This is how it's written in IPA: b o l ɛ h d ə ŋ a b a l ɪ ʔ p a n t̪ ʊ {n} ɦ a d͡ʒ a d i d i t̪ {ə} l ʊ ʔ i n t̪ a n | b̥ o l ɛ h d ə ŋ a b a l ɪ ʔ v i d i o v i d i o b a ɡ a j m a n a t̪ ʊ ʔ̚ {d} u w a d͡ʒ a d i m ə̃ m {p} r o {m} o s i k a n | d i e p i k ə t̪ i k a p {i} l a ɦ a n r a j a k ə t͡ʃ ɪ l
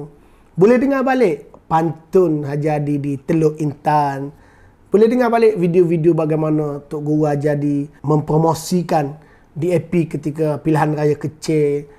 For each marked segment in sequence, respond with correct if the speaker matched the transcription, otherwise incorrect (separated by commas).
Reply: correct, correct, incorrect, correct, correct, correct